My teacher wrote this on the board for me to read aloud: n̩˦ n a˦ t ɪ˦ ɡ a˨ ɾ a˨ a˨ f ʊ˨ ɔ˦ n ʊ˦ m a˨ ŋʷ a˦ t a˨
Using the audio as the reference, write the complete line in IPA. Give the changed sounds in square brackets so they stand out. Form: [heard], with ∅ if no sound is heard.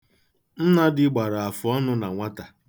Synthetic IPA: n̩˦ n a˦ [d] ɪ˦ [ɡ͡b] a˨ ɾ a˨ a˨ f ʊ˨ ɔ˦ n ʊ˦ [n] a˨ ŋʷ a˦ t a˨